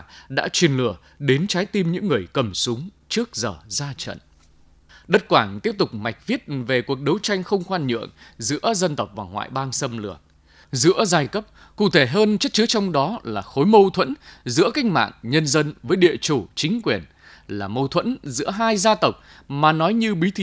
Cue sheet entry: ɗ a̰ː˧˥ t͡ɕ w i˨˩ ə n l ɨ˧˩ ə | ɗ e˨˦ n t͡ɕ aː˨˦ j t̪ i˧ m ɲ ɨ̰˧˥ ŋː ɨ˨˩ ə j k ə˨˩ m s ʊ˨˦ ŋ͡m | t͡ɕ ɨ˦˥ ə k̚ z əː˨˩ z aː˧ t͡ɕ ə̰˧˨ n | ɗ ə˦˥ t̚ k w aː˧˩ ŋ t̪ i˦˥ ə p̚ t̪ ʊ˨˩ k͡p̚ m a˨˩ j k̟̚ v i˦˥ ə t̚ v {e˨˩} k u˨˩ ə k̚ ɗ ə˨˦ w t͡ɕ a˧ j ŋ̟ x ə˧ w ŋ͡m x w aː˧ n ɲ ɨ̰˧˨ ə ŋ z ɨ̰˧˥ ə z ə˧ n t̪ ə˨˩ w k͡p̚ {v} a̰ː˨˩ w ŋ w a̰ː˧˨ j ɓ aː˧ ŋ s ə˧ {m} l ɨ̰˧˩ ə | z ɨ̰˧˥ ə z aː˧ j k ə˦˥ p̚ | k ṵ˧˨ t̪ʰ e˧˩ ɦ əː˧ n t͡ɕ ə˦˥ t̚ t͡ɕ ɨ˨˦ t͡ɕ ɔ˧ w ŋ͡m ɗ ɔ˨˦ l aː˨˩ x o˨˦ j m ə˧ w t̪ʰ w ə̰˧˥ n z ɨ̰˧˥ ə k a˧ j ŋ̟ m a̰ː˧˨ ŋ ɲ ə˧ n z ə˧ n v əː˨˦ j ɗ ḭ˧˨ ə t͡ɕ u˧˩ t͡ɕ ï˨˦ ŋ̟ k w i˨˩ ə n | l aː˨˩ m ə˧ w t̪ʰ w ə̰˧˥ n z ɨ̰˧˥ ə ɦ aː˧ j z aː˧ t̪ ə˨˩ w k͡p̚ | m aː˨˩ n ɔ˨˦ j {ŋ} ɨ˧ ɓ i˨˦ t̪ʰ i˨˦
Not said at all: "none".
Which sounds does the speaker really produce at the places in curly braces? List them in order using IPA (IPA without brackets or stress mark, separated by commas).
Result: e˨˩, v, m, ɲ